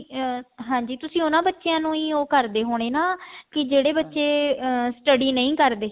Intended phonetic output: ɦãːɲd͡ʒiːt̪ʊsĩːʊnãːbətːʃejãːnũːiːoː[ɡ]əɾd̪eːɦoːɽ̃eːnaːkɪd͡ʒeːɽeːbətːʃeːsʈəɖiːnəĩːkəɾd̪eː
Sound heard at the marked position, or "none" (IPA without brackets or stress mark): k